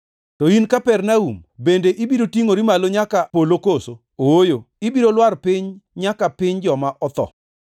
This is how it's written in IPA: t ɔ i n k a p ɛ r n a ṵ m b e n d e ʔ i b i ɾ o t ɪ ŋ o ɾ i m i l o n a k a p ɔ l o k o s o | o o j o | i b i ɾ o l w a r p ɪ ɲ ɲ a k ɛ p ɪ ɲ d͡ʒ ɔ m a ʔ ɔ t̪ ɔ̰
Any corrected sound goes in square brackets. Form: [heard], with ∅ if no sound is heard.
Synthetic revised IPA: t ɔ i n k a p ɛ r n a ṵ m b e n d e ʔ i b i ɾ o t [i] ŋ o ɾ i m [a] l o [ɲ] a k a p [o] l o k o s o | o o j o | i b i ɾ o l w a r p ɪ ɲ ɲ a k [a] p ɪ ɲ d͡ʒ ɔ m a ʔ ɔ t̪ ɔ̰